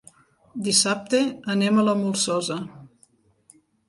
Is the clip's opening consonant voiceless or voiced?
voiced